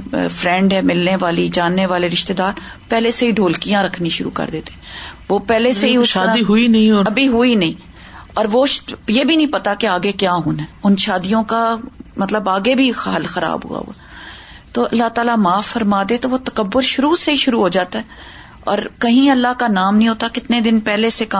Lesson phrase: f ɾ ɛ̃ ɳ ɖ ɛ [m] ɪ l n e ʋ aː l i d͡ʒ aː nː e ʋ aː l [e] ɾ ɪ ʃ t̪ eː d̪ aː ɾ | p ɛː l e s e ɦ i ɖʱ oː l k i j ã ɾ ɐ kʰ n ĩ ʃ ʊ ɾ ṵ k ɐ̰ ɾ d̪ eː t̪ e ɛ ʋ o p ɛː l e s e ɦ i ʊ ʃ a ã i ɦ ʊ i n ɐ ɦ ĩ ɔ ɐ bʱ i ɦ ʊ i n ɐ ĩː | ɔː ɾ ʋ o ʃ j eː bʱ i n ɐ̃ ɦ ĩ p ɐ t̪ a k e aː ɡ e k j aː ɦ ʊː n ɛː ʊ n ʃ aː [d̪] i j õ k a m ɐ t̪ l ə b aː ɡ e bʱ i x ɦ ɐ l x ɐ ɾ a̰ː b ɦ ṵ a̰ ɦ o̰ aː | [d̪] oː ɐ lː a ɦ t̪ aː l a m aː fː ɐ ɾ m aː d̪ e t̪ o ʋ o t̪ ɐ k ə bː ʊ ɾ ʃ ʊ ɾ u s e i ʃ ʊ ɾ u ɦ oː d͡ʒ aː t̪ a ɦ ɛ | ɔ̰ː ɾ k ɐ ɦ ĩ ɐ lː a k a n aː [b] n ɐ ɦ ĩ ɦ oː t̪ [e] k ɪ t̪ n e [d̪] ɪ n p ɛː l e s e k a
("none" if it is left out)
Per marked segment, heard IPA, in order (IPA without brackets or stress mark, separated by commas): m, e, d̪, t̪, m, a, d̪